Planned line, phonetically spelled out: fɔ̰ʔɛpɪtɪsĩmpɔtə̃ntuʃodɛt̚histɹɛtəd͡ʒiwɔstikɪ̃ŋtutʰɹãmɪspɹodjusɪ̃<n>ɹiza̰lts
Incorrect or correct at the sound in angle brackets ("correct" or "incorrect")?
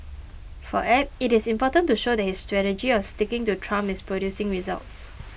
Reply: incorrect